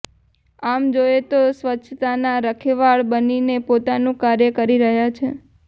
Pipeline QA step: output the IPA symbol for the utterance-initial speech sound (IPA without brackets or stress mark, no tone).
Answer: a